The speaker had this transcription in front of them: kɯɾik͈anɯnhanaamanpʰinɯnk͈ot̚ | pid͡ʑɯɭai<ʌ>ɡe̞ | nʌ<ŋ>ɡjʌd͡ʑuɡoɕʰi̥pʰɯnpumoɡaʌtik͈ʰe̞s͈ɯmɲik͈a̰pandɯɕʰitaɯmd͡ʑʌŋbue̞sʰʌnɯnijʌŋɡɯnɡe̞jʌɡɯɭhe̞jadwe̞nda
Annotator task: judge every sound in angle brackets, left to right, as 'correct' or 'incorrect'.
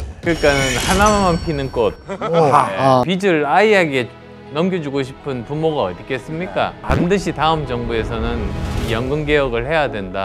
incorrect: a, incorrect: m

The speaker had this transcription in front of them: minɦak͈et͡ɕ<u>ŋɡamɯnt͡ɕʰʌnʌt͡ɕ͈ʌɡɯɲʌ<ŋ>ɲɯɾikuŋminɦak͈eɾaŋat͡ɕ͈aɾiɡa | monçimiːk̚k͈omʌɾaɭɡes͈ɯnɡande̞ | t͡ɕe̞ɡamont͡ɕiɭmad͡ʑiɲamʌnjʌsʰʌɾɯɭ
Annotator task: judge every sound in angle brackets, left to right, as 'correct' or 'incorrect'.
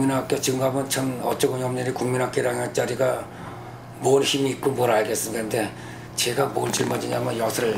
incorrect: ɯ, incorrect: m

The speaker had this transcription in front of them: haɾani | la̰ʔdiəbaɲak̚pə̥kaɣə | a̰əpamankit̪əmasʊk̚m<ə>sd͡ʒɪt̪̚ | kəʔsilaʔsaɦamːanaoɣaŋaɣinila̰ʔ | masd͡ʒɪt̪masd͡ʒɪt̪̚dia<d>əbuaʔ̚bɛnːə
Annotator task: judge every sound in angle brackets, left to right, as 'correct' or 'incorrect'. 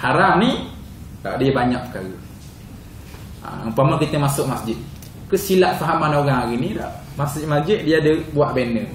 incorrect: a, correct

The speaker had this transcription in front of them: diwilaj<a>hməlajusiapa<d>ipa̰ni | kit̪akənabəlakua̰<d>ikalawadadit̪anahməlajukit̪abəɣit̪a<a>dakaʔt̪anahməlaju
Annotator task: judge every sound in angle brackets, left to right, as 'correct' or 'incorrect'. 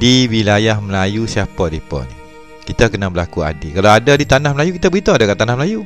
correct, correct, correct, correct

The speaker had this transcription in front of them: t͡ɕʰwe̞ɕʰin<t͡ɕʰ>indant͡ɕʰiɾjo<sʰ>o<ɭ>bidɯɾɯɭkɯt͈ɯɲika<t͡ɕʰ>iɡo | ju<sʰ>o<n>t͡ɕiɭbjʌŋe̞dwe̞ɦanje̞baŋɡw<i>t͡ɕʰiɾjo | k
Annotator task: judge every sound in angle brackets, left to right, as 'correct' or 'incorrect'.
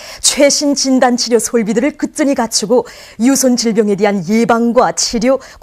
incorrect: t͡ɕ, correct, correct, correct, correct, correct, incorrect: a

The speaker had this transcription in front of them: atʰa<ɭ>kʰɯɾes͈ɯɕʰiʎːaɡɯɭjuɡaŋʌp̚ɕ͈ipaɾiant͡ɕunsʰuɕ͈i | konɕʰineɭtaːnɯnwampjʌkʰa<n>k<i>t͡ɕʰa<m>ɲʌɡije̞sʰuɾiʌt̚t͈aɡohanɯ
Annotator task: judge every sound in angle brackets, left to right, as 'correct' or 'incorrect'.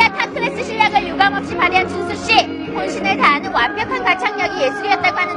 incorrect: none, correct, incorrect: a, incorrect: ŋ

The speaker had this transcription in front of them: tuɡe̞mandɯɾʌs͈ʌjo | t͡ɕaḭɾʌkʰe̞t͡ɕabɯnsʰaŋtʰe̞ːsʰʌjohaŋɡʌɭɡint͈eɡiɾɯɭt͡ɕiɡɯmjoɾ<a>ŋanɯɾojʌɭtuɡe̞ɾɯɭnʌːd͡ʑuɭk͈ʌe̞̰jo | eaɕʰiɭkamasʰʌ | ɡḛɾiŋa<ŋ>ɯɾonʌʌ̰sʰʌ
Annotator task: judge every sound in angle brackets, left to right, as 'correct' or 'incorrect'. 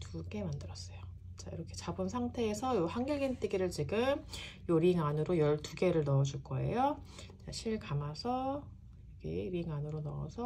incorrect: i, incorrect: n

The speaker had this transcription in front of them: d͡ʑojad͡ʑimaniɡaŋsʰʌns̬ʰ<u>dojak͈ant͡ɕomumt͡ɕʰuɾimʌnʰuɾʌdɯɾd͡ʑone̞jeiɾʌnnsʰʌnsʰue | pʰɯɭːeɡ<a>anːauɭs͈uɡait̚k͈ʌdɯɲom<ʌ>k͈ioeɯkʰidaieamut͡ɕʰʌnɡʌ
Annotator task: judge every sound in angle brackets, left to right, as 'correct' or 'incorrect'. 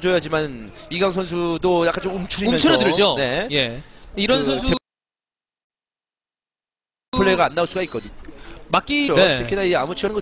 correct, correct, incorrect: a

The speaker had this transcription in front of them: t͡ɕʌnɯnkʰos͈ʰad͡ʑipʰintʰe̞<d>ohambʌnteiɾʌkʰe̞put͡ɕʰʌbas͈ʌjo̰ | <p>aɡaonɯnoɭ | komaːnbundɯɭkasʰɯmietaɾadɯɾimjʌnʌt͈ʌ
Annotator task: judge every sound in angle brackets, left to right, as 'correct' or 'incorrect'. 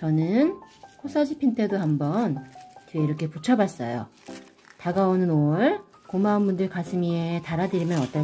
correct, incorrect: t

